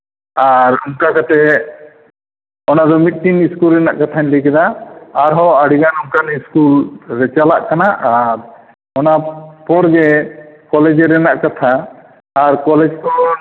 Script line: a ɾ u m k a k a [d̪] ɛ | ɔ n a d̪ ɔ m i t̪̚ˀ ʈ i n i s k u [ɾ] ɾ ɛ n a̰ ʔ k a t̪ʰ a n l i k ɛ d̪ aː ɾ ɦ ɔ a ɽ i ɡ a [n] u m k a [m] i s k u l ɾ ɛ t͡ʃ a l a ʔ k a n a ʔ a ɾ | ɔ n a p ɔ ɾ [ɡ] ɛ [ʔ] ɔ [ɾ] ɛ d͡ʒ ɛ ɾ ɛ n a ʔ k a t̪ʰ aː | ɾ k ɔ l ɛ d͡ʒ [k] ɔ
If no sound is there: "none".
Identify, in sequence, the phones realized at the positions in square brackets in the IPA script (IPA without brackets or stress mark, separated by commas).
t̪, l, n, n, ɡ, k, l, k